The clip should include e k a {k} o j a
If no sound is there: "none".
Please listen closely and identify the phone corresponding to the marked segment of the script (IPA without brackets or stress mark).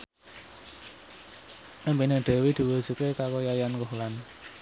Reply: k